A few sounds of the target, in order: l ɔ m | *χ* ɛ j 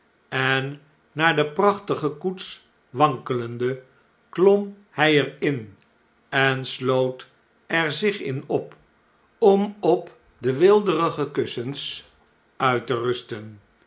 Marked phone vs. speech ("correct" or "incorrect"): incorrect